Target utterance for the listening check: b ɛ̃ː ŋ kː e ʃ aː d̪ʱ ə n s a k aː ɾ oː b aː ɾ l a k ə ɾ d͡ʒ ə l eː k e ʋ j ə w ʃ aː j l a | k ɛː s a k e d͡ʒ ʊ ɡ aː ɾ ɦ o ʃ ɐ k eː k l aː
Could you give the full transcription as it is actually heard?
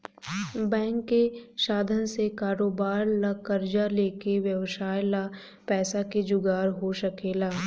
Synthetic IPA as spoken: b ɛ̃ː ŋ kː e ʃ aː d̪ʱ ə n s e k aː ɾ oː b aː ɾ l a k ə ɾ d͡ʒ a l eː k e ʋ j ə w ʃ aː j l a | p ɛː s a k e d͡ʒ ʊ ɡ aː ɾ ɦ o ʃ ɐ k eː l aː